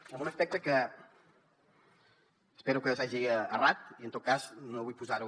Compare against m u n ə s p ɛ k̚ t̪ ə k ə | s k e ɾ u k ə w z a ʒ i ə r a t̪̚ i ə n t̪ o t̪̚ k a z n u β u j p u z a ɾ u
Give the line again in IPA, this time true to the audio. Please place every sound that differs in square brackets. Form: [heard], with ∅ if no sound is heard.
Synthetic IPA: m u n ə s p ɛ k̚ t̪ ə k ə | s [p] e ɾ u k ə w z a ʒ i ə r a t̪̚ i ə n t̪ o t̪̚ k a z n [o] β u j p u z a ɾ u